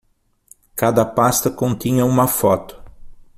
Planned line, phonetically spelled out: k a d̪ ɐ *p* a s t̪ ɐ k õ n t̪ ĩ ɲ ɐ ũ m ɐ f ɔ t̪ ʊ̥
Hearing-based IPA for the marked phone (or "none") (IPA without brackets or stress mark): p